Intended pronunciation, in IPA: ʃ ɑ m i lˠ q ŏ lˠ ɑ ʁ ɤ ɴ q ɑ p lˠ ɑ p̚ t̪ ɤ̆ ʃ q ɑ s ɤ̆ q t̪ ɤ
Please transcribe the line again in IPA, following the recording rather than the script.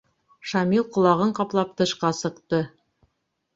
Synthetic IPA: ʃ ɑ m i lˠ q ŏ lˠ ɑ ʁ ɤ ɴ q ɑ p lˠ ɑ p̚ t̪ ɤ̆ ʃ q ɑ s ɤ̆ q t̪ ɤ